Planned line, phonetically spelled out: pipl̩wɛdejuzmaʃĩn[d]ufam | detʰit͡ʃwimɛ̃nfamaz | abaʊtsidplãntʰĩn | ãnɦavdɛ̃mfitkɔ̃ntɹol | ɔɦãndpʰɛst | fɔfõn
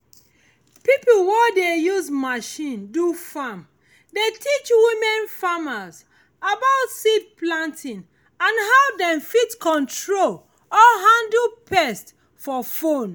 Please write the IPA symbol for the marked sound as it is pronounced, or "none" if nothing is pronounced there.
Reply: d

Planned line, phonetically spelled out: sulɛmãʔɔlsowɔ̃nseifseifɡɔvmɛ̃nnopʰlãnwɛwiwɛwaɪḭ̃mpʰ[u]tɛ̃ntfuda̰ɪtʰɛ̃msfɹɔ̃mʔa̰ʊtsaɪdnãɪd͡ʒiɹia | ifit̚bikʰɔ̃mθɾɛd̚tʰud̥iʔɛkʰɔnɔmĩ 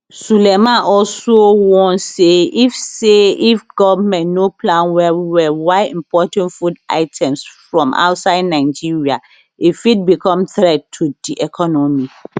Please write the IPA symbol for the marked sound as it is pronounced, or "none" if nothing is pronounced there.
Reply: ɔ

